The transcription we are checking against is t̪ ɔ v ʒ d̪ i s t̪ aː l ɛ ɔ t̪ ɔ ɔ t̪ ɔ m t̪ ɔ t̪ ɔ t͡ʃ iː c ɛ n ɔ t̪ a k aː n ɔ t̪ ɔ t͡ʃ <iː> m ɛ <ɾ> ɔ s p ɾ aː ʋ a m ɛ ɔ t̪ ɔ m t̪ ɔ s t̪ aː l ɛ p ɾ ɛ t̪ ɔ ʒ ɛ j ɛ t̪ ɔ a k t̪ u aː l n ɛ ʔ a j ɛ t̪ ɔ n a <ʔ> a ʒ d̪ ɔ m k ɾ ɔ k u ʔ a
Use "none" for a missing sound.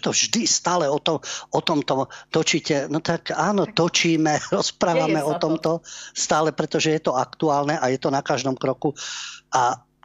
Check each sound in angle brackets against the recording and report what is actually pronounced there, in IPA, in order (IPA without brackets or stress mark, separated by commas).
iː, ɾ, k